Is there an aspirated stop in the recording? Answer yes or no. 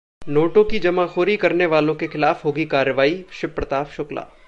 no